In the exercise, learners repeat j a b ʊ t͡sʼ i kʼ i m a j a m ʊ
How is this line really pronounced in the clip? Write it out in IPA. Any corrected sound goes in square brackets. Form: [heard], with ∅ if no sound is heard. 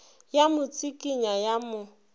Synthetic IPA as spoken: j a [m] ʊ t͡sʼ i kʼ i [ɲ] a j a m ʊ